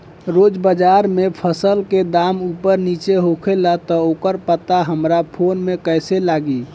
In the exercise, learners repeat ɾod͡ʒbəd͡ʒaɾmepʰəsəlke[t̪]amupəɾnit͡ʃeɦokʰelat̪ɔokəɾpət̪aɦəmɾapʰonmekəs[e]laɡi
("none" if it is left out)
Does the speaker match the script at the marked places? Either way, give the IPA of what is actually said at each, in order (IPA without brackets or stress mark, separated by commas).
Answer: d̪, e